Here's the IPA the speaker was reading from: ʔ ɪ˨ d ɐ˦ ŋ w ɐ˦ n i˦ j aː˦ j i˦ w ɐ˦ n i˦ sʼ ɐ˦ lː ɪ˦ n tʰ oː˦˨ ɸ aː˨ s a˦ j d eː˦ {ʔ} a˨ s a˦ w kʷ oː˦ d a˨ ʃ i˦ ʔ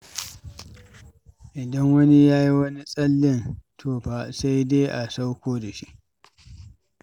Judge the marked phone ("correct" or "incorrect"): correct